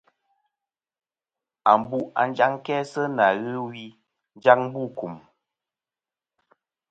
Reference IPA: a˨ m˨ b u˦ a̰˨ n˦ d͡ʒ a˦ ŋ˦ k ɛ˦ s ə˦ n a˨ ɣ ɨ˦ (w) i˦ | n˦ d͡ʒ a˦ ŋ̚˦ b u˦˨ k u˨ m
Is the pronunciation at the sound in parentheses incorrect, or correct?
correct